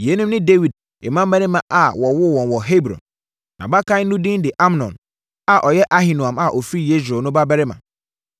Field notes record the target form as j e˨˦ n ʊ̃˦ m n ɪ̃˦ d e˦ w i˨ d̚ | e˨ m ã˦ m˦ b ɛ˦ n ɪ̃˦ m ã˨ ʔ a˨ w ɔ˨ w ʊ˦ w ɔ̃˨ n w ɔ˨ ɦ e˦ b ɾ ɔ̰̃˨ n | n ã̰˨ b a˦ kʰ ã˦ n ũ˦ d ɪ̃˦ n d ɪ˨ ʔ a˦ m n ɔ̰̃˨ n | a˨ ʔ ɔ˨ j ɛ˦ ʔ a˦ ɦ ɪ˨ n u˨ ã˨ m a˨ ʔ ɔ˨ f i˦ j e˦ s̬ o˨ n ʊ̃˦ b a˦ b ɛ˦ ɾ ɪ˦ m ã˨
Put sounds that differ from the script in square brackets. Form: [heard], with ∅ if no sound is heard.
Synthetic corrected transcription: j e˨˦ n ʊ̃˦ m n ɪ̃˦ d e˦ w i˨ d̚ | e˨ m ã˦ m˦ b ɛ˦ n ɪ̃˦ m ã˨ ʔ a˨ w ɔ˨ w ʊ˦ w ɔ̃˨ n w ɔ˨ ɦ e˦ b ɾ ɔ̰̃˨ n | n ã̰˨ b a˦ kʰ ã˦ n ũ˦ d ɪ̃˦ n d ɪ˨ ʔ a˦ m n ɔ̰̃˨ n | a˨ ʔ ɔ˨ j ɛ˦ ʔ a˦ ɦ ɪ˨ n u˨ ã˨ m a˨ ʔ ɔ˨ f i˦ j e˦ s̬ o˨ n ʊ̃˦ b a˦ b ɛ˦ ɾ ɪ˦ m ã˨